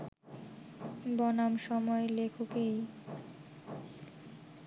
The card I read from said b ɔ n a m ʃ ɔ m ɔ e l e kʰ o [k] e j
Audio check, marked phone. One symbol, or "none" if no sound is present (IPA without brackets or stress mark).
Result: k